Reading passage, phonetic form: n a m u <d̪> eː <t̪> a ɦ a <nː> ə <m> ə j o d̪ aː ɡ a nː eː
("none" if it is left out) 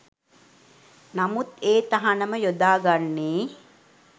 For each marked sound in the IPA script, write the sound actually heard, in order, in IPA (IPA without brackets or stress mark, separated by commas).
t̪, t̪, n, m